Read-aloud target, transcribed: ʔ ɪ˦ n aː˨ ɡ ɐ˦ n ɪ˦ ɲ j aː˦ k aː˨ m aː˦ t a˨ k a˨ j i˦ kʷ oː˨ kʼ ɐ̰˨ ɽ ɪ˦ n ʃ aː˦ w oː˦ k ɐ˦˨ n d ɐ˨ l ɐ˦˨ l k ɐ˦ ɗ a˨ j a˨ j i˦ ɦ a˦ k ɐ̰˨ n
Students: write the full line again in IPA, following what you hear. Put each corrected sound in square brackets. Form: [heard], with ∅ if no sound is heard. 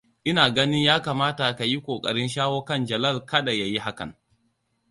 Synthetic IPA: ʔ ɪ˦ n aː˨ ɡ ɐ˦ n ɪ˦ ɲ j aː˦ k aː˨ m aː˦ t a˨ k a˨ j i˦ kʷ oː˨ kʼ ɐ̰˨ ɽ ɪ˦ n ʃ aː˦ w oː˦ k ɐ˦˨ n [d͡ʒ] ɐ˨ l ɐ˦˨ l k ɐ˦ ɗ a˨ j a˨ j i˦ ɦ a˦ k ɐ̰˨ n